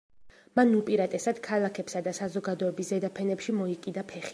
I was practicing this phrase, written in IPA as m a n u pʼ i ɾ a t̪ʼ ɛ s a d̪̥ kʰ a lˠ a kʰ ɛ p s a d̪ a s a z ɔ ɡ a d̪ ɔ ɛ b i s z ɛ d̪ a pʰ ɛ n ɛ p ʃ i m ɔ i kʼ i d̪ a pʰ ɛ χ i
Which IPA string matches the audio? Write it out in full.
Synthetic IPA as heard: m a n u pʼ i ɾ a t̪ʼ ɛ s a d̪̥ kʰ a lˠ a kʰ ɛ p s a d̪ a s a z ɔ ɡ a d̪ ɔ ɛ b i s z ɛ d̪ a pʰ ɛ n ɛ p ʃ i m ɔ i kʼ i d̪ a pʰ ɛ χ i